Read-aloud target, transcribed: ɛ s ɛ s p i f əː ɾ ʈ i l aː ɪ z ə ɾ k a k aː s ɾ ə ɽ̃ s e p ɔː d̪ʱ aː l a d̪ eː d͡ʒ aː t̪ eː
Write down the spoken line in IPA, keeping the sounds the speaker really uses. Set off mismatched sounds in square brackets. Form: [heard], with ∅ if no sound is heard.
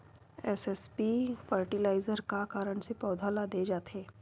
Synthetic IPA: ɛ s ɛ s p i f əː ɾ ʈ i l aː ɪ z ə ɾ k a k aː [∅] ɾ ə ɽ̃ s e p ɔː d̪ʱ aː l a d̪ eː d͡ʒ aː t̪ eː